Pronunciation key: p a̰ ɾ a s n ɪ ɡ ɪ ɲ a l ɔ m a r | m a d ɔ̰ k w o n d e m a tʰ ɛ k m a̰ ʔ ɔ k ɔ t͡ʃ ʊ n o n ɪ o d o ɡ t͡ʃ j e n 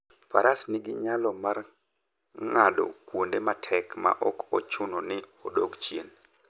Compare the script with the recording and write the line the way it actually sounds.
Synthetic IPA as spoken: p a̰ ɾ a s n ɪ ɡ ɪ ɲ a l ɔ m a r | ŋ a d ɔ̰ k w o n d e m a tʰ ɛ k m a̰ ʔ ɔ k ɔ t͡ʃ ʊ n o n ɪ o d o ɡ t͡ʃ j e n